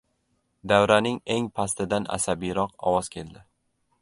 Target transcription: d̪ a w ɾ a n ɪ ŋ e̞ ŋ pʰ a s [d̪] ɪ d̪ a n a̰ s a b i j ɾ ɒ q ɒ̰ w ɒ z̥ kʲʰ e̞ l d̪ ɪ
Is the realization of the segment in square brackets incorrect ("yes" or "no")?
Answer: yes